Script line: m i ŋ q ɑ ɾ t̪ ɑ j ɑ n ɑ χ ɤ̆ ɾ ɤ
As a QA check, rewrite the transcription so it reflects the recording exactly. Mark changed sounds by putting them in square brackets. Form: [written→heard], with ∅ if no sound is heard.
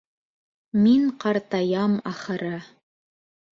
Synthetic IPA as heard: m i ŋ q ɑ ɾ t̪ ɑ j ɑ [n→m] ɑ χ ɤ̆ ɾ ɤ